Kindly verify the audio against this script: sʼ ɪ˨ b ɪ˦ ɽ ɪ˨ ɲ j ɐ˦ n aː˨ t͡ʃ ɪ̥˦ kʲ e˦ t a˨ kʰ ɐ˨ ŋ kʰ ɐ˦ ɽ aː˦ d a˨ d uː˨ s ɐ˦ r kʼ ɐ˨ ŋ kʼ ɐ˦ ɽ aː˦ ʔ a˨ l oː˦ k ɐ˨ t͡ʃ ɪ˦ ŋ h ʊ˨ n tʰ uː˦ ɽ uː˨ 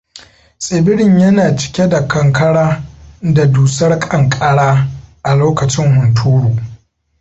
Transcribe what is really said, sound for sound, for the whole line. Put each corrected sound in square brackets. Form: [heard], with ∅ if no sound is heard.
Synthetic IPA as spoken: sʼ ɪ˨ b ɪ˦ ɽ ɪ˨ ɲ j ɐ˦ n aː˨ t͡ʃ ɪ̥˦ kʲ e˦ [d] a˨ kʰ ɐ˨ ŋ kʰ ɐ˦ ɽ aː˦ d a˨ d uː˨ s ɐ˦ r kʼ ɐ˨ ŋ kʼ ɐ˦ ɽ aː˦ ʔ a˨ l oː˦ k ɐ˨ t͡ʃ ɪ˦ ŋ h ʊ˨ n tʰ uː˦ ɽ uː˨